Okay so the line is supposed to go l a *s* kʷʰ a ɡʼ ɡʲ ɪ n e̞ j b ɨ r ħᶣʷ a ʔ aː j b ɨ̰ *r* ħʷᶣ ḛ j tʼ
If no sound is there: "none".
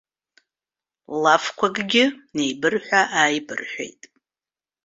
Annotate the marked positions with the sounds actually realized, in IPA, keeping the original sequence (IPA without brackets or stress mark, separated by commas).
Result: f, r